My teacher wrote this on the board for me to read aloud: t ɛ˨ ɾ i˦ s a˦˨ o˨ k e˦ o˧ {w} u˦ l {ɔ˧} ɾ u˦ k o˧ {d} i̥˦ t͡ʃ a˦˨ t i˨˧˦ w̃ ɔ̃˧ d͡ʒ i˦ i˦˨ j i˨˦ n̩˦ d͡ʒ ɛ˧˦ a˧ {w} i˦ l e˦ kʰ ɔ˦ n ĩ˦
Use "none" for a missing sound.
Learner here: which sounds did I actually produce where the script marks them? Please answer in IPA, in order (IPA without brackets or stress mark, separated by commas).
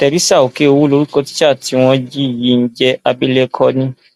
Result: w, o˧, t, b